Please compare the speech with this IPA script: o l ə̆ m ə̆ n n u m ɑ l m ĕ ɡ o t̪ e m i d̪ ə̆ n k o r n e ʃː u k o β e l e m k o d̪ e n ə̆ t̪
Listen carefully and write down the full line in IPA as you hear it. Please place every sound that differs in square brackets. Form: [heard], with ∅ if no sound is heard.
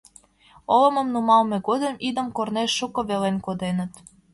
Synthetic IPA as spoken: o l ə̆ m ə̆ [m] n u m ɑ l m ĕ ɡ o [d̪] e m i d̪ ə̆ [m] k o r n e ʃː u k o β e l e [n] k o d̪ e n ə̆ t̪

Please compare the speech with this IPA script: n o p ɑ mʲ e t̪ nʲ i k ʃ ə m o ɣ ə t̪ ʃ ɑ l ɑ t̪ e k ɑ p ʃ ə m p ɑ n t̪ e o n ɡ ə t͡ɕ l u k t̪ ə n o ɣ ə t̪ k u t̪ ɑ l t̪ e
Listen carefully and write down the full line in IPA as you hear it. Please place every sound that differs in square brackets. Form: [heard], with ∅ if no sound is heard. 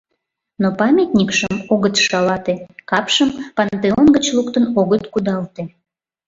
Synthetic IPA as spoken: n o p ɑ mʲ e t̪ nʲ i k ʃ ə m o ɣ ə t̪ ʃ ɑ l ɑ t̪ e k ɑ p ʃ ə m p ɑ n t̪ e o n ɡ ə t͡ɕ l u k t̪ ə n o ɣ ə t̪ k u [d̪] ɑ l t̪ e

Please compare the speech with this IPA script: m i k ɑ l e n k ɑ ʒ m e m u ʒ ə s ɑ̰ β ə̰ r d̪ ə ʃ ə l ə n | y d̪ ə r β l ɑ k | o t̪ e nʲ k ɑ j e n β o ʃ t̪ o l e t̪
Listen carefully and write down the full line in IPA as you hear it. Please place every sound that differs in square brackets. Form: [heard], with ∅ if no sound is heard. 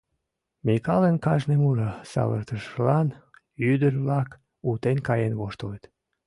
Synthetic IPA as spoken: m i k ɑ l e n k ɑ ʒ [n] e m u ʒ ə s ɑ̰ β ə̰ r [t̪] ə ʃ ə l [ɑ] n | y d̪ ə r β l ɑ k | [u] t̪ e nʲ k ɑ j e n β o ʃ t̪ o l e t̪

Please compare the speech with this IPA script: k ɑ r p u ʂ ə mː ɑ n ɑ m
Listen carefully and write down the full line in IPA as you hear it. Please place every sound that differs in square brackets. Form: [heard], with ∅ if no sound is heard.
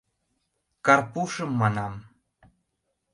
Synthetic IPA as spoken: k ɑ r p u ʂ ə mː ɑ n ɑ m

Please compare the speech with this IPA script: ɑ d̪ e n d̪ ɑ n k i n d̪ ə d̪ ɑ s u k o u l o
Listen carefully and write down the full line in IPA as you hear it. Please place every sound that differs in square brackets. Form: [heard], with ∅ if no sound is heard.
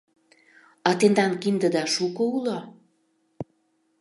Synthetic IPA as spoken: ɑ [t̪] e n d̪ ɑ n k i n d̪ ə d̪ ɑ [ʃ] u k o u l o

